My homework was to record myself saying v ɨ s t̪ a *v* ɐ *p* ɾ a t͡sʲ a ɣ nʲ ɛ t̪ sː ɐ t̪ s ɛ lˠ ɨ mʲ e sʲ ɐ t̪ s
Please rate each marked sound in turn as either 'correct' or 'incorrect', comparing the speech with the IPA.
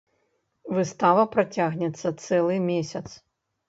correct, correct

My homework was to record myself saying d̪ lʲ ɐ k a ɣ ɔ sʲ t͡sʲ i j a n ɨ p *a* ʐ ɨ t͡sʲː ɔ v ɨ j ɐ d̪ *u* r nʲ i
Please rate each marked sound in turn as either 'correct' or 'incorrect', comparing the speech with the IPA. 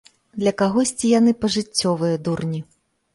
incorrect: ɐ, correct

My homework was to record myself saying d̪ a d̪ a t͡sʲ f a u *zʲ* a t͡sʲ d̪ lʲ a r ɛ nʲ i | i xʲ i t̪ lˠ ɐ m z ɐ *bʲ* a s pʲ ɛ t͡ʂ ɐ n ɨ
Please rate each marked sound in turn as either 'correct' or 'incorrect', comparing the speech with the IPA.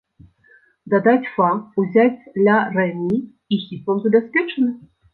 correct, correct

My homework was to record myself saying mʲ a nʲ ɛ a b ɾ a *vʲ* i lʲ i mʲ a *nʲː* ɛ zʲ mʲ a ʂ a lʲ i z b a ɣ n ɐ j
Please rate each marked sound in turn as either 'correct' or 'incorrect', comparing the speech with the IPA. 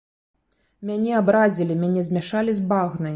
incorrect: zʲ, incorrect: nʲ

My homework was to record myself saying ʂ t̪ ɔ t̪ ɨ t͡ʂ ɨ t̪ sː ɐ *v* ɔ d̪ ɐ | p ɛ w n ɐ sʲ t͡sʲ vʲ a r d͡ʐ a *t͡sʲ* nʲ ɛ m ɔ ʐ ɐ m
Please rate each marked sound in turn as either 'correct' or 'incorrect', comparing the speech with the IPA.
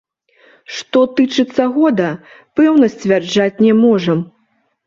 incorrect: ɣ, correct

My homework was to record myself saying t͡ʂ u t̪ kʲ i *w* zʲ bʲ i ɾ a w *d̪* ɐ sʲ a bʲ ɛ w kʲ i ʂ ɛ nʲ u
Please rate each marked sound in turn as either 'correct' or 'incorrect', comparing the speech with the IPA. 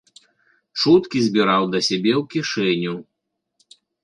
incorrect: none, correct

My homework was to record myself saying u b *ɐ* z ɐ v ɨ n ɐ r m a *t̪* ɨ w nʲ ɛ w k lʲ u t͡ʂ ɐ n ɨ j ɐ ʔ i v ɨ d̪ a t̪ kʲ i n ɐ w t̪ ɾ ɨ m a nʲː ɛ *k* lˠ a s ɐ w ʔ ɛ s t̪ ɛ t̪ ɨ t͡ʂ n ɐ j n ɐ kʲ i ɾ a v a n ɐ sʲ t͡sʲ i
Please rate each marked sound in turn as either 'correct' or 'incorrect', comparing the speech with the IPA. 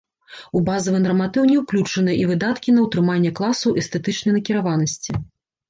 incorrect: a, correct, correct

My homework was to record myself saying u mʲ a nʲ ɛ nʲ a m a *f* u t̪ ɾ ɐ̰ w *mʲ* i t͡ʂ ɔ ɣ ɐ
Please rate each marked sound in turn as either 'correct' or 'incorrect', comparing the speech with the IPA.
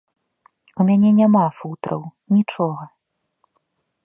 correct, incorrect: nʲ

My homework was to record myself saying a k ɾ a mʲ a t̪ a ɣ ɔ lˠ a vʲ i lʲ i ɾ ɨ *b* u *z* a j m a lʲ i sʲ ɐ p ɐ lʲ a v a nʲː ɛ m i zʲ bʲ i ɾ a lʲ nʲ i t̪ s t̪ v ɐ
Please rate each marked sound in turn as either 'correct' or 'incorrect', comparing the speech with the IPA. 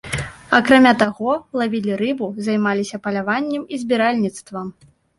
correct, correct

